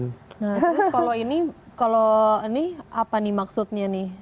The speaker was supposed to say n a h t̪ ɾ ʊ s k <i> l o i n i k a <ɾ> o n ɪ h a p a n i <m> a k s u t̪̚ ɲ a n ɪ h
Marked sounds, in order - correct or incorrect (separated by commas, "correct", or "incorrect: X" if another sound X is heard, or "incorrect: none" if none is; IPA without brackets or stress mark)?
incorrect: a, incorrect: l, correct